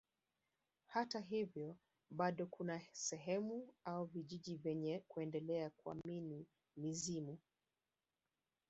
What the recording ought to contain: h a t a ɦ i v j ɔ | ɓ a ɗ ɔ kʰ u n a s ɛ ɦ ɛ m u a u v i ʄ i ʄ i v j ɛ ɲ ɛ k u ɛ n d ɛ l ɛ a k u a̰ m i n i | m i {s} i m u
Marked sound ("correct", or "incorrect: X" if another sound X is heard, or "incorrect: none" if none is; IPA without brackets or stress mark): incorrect: z